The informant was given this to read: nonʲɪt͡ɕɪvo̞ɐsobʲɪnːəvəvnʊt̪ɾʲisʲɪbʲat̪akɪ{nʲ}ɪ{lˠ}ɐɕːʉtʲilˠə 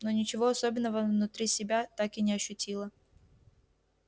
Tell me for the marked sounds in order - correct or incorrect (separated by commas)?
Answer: correct, incorrect